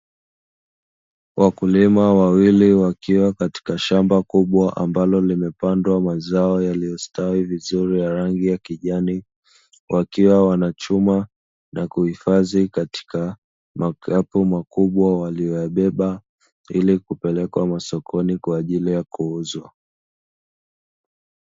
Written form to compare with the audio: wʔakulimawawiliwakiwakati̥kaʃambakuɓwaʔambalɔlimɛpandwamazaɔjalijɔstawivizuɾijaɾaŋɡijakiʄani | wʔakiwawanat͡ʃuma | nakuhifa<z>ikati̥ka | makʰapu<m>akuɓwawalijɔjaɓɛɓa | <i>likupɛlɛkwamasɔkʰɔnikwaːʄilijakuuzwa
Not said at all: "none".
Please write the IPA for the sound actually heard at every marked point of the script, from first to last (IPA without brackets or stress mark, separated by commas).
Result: z, m, i